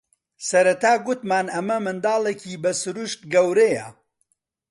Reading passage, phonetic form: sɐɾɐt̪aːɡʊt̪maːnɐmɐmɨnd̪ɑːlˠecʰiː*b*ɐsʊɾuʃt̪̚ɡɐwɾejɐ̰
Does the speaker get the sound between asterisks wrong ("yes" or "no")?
no